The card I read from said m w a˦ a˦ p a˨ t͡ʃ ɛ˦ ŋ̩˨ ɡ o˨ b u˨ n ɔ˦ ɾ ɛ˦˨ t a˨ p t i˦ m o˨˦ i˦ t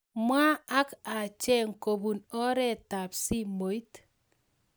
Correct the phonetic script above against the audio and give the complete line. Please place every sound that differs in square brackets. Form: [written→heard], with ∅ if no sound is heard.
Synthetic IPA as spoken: m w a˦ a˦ [p→k] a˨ t͡ʃ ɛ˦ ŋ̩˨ [ɡ→k] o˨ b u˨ n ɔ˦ ɾ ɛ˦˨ t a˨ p [t→s] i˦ m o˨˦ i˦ t